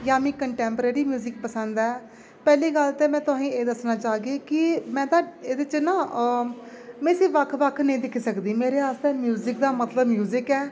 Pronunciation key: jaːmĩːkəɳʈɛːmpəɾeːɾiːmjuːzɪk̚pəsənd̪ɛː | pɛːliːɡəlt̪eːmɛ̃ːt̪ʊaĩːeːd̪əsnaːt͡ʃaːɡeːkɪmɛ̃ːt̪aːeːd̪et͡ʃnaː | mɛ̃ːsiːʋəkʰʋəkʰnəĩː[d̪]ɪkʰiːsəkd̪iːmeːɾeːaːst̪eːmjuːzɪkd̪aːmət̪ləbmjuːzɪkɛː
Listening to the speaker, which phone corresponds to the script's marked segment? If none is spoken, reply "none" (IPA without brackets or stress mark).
d̪